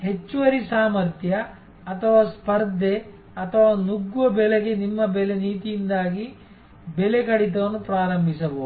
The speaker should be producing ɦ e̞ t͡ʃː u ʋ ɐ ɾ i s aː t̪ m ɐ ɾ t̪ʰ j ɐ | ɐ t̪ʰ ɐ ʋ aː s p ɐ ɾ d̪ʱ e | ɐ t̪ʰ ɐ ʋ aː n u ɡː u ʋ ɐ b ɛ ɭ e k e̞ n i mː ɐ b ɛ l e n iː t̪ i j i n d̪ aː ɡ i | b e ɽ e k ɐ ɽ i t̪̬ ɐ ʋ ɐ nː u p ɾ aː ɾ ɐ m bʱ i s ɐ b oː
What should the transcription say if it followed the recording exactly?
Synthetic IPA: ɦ e̞ t͡ʃː u ʋ ɐ ɾ i s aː m ɐ ɾ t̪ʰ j ɐ | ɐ t̪ʰ ɐ ʋ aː s p ɐ ɾ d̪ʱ e | ɐ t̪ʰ ɐ ʋ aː n u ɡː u ʋ ɐ b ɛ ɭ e ɡ e̞ n i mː ɐ b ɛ l e n iː t̪ i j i n d̪ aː ɡ i | b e l e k ɐ ɽ i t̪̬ ɐ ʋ ɐ nː u p ɾ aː ɾ ɐ m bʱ i s ɐ b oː